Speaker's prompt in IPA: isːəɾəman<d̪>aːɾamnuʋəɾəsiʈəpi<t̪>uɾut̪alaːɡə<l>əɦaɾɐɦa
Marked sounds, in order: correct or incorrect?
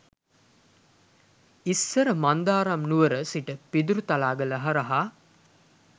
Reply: correct, incorrect, correct

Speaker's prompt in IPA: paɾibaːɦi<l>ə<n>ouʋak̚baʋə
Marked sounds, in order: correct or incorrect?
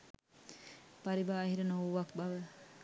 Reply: incorrect, correct

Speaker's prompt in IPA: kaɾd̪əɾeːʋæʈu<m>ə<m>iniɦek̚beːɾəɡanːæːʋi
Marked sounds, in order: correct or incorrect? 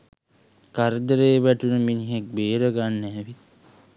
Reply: incorrect, correct

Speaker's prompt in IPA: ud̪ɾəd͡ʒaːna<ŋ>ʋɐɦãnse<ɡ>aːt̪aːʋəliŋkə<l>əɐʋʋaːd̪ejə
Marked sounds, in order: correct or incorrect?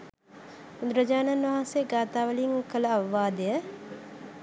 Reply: incorrect, correct, correct

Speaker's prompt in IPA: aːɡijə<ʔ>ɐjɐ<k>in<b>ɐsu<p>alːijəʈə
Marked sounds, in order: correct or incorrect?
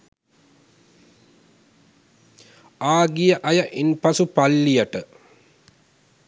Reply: correct, incorrect, incorrect, correct

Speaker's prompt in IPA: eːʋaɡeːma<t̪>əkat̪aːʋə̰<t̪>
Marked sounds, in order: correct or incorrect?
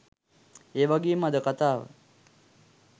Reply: incorrect, incorrect

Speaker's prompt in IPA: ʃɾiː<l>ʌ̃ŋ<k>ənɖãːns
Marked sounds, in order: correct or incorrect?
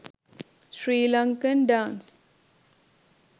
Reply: correct, correct

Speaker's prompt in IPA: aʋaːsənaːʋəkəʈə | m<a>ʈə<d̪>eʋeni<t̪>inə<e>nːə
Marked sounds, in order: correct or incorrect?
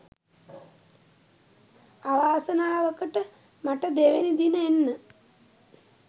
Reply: correct, correct, incorrect, correct

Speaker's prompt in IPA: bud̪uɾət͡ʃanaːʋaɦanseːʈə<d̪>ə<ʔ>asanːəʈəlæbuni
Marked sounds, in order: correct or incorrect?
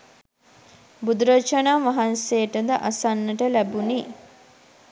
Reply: correct, correct

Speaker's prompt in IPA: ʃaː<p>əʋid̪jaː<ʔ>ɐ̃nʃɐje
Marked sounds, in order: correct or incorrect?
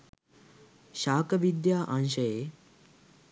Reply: incorrect, correct

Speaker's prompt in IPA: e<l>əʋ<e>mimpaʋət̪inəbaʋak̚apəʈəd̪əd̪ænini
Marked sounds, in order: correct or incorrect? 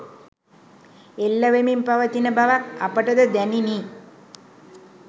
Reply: incorrect, correct

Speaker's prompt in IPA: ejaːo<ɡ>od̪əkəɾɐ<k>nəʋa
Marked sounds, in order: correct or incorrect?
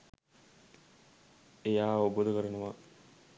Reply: incorrect, incorrect

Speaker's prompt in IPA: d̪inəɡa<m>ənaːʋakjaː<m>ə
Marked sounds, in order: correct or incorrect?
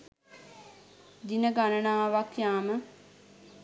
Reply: incorrect, correct

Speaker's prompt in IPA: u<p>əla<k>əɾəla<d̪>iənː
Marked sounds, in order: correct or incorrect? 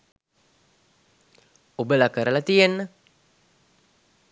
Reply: incorrect, correct, incorrect

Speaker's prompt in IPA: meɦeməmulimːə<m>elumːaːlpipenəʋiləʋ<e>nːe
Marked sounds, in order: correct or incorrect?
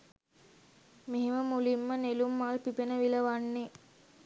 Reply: incorrect, incorrect

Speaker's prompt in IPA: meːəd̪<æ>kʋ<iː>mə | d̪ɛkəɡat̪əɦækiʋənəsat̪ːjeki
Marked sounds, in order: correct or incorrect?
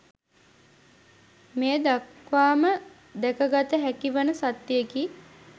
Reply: incorrect, incorrect

